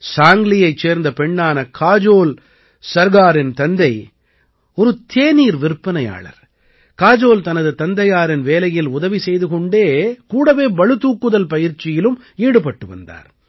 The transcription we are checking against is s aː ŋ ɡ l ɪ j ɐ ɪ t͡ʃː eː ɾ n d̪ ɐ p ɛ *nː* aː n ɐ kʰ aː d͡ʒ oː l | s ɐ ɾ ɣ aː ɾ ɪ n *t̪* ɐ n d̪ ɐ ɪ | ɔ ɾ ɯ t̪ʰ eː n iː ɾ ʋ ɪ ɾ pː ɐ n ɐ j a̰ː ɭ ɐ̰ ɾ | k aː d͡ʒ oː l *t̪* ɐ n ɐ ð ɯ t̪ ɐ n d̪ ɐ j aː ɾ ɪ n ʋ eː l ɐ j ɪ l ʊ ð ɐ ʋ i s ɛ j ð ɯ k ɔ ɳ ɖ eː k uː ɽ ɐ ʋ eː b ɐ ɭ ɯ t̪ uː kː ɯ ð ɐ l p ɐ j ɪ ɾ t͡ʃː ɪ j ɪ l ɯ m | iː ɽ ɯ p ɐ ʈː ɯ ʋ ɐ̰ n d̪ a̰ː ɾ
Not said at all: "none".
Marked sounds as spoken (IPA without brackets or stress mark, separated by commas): ɳː, t̪, t̪